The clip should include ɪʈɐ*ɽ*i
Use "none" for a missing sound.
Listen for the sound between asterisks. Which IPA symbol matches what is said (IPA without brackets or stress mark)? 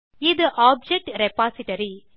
ɾ